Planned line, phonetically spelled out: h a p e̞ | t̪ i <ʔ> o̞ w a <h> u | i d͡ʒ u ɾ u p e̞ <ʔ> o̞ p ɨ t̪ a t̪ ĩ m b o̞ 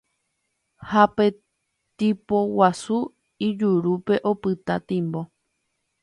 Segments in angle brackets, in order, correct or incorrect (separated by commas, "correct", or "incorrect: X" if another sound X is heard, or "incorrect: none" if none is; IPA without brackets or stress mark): incorrect: p, incorrect: s, correct